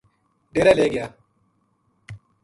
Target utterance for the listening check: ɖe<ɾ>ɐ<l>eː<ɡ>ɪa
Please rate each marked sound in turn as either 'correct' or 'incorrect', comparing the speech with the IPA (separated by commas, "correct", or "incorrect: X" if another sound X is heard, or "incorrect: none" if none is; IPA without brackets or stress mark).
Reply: correct, correct, correct